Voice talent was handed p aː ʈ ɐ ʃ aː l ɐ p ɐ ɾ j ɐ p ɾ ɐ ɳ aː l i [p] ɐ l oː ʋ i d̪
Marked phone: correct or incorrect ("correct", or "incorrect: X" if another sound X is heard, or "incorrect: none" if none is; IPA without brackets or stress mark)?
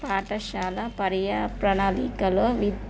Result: incorrect: k